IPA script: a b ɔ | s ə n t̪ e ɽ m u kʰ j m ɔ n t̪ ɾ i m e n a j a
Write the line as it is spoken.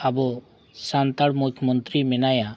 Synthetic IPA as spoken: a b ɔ | s a n t̪ a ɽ m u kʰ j m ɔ n t̪ ɾ i m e n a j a